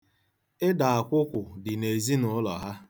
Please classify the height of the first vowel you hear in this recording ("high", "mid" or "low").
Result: high